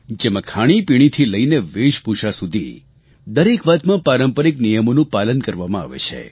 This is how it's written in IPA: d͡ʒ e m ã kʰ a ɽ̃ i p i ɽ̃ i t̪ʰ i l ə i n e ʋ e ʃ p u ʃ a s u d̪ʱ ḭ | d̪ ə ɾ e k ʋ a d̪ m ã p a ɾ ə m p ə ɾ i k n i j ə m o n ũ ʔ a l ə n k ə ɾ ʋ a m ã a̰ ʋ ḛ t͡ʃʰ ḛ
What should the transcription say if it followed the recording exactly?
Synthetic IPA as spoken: d͡ʒ e m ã kʰ a ɽ̃ i p i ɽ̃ i t̪ʰ i l ə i n e ʋ e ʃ p u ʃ a s u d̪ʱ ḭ | d̪ ə ɾ e k ʋ a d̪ m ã p a ɾ ə m p ə ɾ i k n i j ə m o n ũ p a l ə n k ə ɾ ʋ a m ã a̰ ʋ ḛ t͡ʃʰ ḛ